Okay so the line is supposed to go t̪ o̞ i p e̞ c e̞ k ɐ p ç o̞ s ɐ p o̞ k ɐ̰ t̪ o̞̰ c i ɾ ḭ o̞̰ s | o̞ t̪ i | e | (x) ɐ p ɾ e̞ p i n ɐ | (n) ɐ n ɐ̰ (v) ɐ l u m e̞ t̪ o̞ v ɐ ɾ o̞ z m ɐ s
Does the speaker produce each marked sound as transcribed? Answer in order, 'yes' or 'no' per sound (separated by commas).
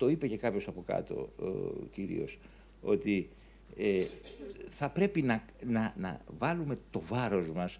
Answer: no, yes, yes